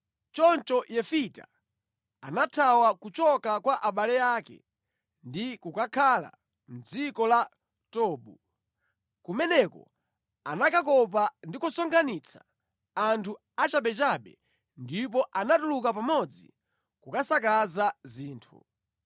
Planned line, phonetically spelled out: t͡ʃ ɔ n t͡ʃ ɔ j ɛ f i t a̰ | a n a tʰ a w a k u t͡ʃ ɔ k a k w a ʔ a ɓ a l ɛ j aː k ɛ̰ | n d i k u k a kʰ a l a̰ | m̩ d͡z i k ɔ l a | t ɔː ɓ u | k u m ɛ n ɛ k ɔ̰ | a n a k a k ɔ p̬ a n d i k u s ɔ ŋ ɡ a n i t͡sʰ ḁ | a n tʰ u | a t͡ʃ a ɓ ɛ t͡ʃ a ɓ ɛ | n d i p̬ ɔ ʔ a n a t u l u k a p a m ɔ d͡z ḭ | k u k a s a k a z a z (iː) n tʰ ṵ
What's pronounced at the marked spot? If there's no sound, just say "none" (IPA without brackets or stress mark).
iː